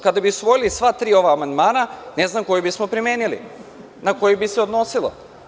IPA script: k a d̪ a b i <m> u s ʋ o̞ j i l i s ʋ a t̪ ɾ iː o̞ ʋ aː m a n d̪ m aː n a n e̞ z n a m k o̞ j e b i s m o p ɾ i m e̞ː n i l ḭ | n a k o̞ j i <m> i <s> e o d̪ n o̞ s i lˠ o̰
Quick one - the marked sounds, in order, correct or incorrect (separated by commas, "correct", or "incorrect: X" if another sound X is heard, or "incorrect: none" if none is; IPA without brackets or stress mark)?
incorrect: none, incorrect: b, correct